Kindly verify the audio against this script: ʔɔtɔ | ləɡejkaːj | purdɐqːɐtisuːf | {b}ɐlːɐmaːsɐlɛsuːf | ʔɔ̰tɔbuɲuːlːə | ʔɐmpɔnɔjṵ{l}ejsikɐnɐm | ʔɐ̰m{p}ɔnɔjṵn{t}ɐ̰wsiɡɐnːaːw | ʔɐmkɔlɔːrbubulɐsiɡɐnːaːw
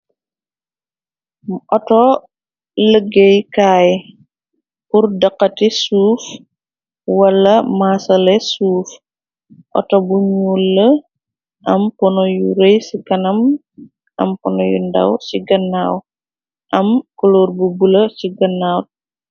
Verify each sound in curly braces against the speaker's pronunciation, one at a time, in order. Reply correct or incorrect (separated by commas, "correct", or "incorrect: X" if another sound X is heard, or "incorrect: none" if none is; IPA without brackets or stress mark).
incorrect: w, incorrect: ɾ, correct, incorrect: d